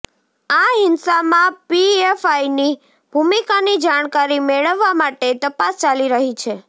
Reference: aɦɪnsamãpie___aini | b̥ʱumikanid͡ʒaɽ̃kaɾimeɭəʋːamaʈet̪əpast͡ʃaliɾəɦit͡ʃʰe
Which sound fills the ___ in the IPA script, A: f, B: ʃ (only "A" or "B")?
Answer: A